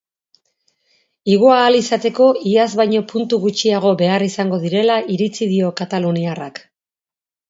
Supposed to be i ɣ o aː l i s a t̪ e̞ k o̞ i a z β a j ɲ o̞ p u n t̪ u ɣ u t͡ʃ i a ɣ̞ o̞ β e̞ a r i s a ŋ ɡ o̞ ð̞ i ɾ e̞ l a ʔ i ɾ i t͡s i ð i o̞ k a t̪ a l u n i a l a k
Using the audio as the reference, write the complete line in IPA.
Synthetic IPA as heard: i ɣ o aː l i s a t̪ e̞ k o̞ i a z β a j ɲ o̞ p u n t̪ u ɣ u t͡ʃ i a ɣ̞ o̞ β e̞ a r i s a ŋ ɡ o̞ ð̞ i ɾ e̞ l a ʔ i ɾ i t͡s i ð i o̞ k a t̪ a l u n i a r a k